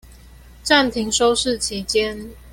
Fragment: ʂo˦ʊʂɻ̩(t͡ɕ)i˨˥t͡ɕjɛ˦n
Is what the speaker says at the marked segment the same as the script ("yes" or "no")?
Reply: no